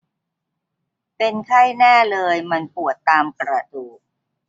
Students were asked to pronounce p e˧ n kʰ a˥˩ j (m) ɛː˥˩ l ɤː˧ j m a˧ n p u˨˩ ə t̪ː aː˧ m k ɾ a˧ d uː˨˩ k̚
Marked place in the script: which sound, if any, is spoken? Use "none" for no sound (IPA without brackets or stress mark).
n